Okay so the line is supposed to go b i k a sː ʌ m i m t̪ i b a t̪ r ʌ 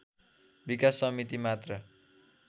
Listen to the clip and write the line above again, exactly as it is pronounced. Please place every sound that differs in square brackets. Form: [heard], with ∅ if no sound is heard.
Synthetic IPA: b i k a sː ʌ m i [∅] t̪ i [m] a t̪ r ʌ

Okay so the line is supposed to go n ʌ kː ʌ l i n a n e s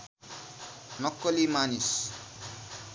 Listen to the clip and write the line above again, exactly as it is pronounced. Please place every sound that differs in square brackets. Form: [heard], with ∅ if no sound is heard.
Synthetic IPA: n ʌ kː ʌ l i [m] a n [i] s

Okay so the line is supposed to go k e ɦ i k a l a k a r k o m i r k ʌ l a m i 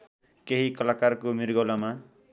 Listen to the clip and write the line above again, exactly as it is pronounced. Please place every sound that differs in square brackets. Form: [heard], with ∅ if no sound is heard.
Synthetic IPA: k e ɦ i k [ʌ] l a k a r k o m i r [ɡ] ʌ l a m [a]

